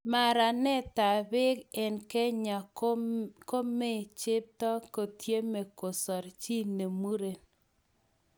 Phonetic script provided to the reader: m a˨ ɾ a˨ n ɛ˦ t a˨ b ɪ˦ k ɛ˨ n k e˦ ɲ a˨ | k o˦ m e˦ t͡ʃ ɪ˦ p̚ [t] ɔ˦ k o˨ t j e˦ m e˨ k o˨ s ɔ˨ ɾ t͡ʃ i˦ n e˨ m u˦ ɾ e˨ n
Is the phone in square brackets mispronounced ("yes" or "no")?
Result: no